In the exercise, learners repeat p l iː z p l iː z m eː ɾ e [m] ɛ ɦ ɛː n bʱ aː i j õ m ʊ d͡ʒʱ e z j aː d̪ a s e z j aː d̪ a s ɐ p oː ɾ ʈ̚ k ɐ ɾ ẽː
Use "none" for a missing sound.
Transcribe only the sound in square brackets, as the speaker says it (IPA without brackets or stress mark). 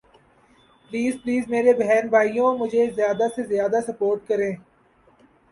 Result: b